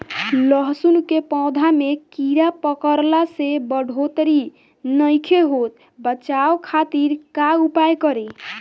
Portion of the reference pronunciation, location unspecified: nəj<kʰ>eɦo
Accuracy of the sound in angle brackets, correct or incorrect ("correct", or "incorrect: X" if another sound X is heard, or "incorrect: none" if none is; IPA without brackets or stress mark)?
correct